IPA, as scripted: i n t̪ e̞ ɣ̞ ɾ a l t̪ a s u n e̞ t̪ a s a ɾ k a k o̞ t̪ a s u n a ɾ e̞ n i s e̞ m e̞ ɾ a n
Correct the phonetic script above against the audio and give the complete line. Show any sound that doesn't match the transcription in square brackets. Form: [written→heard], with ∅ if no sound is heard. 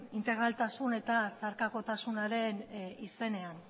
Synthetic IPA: i n t̪ e̞ ɣ̞ ɾ a l t̪ a s u n e̞ t̪ a s a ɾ k a k o̞ t̪ a s u n a ɾ e̞ n i s e̞ [m→n] e̞ [ɾ→∅] a n

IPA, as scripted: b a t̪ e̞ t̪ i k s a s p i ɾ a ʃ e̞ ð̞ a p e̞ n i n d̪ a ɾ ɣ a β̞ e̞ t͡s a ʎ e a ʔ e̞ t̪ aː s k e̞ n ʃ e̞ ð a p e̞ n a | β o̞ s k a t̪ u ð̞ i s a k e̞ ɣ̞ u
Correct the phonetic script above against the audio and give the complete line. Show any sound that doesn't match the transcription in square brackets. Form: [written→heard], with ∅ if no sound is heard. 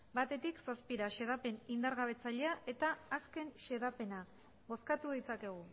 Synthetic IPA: b a t̪ e̞ t̪ i k s a s p i ɾ a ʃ e̞ ð̞ a p e̞ n i n d̪ a ɾ ɣ a β̞ e̞ t͡s a ʎ e a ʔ e̞ t̪ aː s k e̞ n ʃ e̞ ð a p e̞ n a | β o̞ s k a t̪ u ð̞ i [s→t͡s] a k e̞ ɣ̞ u

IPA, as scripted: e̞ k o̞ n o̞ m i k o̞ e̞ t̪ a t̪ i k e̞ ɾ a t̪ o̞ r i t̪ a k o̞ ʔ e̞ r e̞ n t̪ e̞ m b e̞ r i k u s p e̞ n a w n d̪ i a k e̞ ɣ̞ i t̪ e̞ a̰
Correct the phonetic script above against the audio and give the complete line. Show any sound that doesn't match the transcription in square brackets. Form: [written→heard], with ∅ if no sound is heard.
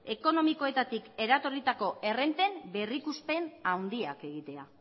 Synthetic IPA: e̞ k o̞ n o̞ m i k o̞ e̞ t̪ a t̪ i k e̞ ɾ a t̪ o̞ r i t̪ a k o̞ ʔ e̞ r e̞ n t̪ e̞ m b e̞ r i k u s p e̞ n a w n d̪ i a k e̞ ɣ̞ i t̪ e̞ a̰

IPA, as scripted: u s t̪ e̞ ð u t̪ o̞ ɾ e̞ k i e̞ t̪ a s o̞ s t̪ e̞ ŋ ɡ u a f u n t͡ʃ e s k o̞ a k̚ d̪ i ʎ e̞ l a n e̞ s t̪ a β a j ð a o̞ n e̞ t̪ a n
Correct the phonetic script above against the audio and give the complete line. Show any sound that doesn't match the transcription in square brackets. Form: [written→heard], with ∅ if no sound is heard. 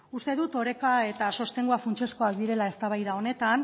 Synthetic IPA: u s t̪ e̞ ð u t̪ o̞ ɾ e̞ k [i→a] e̞ t̪ a s o̞ s t̪ e̞ ŋ ɡ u a f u n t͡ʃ e s k o̞ a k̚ d̪ i [ʎ→ɾ] e̞ l a [n→∅] e̞ s t̪ a β a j ð a o̞ n e̞ t̪ a n

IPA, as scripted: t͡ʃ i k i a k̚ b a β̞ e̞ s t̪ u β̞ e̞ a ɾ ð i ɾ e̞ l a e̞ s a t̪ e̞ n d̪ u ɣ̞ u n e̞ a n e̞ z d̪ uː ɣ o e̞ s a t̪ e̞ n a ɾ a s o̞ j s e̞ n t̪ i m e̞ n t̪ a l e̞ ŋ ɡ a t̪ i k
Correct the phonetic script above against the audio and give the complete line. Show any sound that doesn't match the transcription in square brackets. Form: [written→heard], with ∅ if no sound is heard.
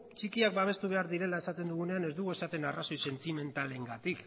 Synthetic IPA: t͡ʃ i k i a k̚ b a β̞ e̞ s t̪ u β̞ e̞ a ɾ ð i ɾ e̞ l a e̞ s a t̪ e̞ n d̪ u ɣ̞ u n e̞ a n e̞ z d̪ [uː→u] ɣ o e̞ s a t̪ e̞ n a [ɾ→r] a s o̞ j s e̞ n t̪ i m e̞ n t̪ a l e̞ ŋ ɡ a t̪ i k

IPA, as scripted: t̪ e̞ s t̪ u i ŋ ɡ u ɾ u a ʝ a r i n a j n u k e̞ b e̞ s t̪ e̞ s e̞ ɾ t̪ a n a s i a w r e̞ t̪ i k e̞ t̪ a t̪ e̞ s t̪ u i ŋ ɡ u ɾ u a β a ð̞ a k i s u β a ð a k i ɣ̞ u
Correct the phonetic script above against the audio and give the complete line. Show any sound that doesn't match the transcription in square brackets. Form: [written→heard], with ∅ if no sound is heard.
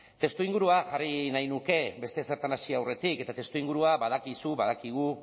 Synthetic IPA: t̪ e̞ s t̪ u i ŋ ɡ u ɾ u a ʝ a r i n a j n u k e̞ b e̞ s t̪ e̞ s e̞ ɾ t̪ a n a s i a w r e̞ t̪ i k e̞ t̪ a t̪ e̞ s t̪ u i ŋ ɡ u ɾ u a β a ð̞ a k i s u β a ð a k i ɣ̞ u

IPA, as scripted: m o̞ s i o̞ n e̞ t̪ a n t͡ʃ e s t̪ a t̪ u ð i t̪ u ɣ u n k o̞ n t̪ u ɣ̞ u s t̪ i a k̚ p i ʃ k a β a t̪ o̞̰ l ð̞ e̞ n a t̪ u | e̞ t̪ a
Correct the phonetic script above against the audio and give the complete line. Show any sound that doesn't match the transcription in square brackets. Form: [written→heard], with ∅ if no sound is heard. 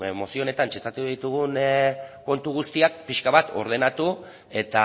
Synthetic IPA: m o̞ s i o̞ n e̞ t̪ a n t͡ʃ e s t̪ a t̪ u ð i t̪ u ɣ u n k o̞ n t̪ u ɣ̞ u s t̪ i a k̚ p i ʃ k a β a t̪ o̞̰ [l→ɾ] ð̞ e̞ n a t̪ u | e̞ t̪ a

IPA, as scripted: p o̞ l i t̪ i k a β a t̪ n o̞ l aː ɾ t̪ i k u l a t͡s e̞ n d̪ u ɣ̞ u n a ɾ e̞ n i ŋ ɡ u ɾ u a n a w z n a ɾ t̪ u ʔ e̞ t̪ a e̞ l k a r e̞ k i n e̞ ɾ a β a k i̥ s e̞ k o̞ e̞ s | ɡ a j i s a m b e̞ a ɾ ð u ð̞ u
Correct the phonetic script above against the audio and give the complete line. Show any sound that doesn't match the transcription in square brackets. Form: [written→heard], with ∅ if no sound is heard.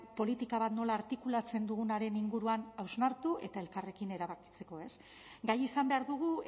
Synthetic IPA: p o̞ l i t̪ i k a β a t̪ n o̞ l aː ɾ t̪ i k u l a t͡s e̞ n d̪ u ɣ̞ u n a ɾ e̞ n i ŋ ɡ u ɾ u a n a w z n a ɾ t̪ u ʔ e̞ t̪ a e̞ l k a r e̞ k i n e̞ ɾ a β a k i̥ [s→t͡s] e̞ k o̞ e̞ s | ɡ a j i s a m b e̞ a ɾ ð u [ð̞→ɣ̞] u

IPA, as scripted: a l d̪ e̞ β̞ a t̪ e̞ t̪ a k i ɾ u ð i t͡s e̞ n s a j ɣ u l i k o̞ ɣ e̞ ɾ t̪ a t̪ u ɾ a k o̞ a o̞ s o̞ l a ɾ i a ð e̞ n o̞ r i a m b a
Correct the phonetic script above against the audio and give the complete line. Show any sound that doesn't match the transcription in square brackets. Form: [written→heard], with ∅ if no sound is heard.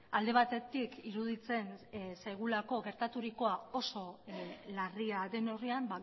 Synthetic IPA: a l d̪ e̞ β̞ a t̪ e̞ t̪ [a→i] k i ɾ u ð i t͡s e̞ n s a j ɣ u l [i→a] k o̞ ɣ e̞ ɾ t̪ a t̪ u ɾ [a→i] k o̞ a o̞ s o̞ l a [ɾ→r] i a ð e̞ n o̞ r i a m b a

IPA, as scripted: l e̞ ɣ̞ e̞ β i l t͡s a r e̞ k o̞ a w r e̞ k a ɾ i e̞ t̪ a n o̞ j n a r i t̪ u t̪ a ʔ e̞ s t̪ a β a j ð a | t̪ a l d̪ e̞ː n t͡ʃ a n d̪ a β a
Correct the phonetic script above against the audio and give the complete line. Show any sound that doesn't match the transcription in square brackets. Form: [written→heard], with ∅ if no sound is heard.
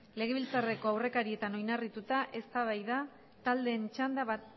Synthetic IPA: l e̞ ɣ̞ e̞ β i l t͡s a r e̞ k o̞ a w r e̞ k a ɾ i e̞ t̪ a n o̞ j n a r i t̪ u t̪ a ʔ e̞ s t̪ a β a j ð a | t̪ a l d̪ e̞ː n t͡ʃ a n d̪ a β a

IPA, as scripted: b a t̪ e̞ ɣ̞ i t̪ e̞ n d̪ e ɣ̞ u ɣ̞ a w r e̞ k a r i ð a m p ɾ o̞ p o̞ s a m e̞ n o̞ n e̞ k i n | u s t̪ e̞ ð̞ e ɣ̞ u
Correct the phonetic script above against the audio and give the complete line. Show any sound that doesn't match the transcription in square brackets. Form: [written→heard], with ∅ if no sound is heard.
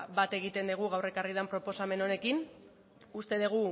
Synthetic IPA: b a t̪ e̞ ɣ̞ i t̪ e̞ n d̪ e ɣ̞ u ɣ̞ a w r e̞ k a r i ð a m p ɾ o̞ p o̞ s a m e̞ n o̞ n e̞ k i n | u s t̪ e̞ ð̞ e ɣ̞ u

